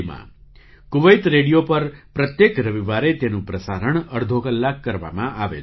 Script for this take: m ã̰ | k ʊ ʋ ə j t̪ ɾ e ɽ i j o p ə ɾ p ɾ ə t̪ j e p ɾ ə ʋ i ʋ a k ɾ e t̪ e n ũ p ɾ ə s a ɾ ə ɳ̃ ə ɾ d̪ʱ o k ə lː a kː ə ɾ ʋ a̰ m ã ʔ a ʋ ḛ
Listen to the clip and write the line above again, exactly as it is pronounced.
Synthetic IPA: m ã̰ | k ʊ ʋ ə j t̪ ɾ e ɽ i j o p ə ɾ p ɾ ə t̪ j e k ɾ ə ʋ i ʋ a ɾ e t̪ e n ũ p ɾ ə s a ɾ ə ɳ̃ ə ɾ d̪ʱ o k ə lː a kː ə ɾ ʋ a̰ m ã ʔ a ʋ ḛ

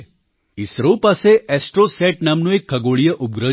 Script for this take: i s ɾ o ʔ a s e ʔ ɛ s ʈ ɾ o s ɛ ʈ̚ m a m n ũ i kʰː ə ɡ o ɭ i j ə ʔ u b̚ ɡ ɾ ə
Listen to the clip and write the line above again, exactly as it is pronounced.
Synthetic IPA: i s ɾ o p a s e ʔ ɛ s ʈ ɾ o s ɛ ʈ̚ n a m n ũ e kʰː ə ɡ o ɭ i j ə ʔ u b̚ ɡ ɾ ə

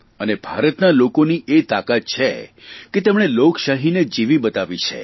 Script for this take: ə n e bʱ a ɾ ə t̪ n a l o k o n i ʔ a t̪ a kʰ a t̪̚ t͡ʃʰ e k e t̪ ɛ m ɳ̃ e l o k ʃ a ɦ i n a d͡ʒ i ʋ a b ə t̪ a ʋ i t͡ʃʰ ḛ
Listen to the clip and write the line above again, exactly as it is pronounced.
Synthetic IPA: ə n e bʱ a ɾ ə t̪ n a l o k o n i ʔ e t̪ a k a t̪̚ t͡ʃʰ e k e t̪ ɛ m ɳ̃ e l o k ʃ a ɦ i n e d͡ʒ i ʋ i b ə t̪ a ʋ i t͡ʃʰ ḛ

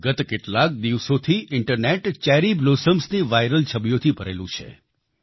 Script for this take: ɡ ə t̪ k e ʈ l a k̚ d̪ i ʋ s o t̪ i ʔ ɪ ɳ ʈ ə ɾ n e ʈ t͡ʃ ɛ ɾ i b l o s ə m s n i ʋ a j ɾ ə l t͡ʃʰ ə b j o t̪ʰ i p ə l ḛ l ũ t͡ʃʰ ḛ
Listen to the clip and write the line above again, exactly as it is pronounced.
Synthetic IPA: ɡ ə t̪ k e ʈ l a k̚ d̪ i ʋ s o t̪ʰ i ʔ ɪ ɳ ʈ ə ɾ n e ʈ t͡ʃ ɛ ɾ i b l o s ə m s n i ʋ a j ɾ ə l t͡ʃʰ ə b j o t̪ʰ i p ə ɾ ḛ l ũ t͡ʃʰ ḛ

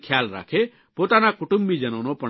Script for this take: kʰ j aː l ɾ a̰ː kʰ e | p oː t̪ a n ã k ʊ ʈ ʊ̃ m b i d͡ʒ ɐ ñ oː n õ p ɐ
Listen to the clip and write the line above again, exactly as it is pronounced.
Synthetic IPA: kʰ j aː l ɾ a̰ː kʰ e | p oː t̪ a n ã k ʊ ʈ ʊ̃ m b i d͡ʒ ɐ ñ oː n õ p ɐ

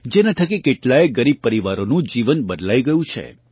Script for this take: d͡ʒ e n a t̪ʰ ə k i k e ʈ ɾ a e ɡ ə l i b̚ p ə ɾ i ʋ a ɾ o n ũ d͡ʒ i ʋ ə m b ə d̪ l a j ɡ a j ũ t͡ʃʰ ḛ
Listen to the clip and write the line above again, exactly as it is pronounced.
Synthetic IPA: d͡ʒ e n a t̪ʰ ə k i k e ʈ l a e ɡ ə ɾ i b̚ p ə ɾ i ʋ a ɾ o n ũ d͡ʒ i ʋ ə n b ə d̪ l a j ɡ ə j ũ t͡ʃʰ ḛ

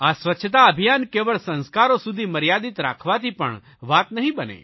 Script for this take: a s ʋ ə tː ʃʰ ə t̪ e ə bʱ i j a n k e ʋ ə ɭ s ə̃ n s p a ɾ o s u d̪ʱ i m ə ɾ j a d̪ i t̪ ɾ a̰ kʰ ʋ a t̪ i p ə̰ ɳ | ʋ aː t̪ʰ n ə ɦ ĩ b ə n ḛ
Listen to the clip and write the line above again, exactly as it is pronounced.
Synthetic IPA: a s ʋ ə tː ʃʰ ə t̪ a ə bʱ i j a n k e ʋ ə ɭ s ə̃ n s k a ɾ o s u d̪ʱ i m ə ɾ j a d̪ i t̪ ɾ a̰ kʰ ʋ a t̪ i p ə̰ ɳ | ʋ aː t̪ n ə ɦ ĩ b ə n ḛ

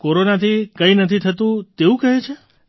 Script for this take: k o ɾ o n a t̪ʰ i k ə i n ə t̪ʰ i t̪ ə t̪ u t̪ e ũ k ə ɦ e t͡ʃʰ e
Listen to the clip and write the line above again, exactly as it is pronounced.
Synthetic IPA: k o ɾ o n a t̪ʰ i k ə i n ə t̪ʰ i t̪ʰ ə t̪ ũ t̪ e ũ k ə ɦ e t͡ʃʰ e

